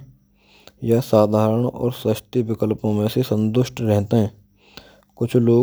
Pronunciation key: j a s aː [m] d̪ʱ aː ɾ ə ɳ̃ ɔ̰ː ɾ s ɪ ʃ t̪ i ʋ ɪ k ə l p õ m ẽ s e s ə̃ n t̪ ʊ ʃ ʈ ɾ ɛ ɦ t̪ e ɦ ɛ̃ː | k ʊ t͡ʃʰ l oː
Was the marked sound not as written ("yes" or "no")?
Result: yes